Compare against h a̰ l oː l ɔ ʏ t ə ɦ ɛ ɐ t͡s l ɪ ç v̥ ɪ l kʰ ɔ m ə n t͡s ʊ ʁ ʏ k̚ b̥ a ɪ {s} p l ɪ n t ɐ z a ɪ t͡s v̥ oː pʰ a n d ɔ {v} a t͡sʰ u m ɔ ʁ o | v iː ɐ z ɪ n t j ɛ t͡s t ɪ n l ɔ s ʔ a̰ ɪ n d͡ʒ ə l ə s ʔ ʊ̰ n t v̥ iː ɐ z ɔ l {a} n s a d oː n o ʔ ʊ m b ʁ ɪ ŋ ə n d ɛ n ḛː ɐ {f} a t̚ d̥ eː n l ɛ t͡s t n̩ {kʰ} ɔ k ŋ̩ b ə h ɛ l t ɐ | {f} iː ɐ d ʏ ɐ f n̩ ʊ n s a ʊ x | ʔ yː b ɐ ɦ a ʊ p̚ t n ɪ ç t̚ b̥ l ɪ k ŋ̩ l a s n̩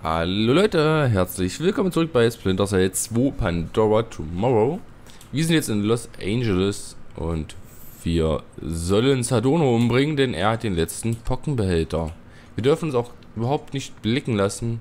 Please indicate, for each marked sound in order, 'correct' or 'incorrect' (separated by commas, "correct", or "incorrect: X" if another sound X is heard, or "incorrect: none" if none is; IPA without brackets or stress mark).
correct, incorrect: ʁ, incorrect: ə, incorrect: h, incorrect: pʰ, incorrect: v